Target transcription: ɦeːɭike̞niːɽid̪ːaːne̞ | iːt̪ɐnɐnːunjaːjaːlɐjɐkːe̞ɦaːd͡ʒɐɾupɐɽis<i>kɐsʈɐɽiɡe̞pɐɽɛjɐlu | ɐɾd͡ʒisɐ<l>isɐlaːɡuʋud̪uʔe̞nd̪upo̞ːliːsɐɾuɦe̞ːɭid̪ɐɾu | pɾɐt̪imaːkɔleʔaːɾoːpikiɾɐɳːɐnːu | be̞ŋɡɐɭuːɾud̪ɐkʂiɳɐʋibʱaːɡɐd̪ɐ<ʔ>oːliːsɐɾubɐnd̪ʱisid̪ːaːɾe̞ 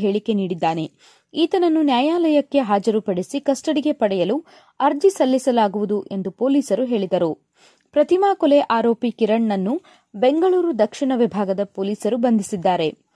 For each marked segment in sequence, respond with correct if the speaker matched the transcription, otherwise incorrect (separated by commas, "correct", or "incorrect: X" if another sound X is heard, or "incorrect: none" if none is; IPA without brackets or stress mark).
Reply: correct, incorrect: lː, incorrect: p